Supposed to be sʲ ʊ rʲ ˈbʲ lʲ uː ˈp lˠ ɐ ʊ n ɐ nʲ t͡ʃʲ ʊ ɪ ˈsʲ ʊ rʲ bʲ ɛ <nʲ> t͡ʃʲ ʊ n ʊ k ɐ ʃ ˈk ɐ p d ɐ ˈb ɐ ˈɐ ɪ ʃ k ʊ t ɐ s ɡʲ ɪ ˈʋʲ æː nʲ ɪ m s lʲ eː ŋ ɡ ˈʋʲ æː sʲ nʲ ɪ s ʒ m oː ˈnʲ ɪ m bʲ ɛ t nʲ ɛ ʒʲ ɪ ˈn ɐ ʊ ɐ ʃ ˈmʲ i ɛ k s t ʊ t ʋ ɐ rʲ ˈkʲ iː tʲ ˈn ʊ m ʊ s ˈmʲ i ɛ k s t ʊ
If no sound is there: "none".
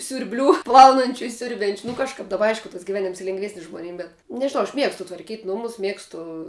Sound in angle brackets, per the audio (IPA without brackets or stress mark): nʲ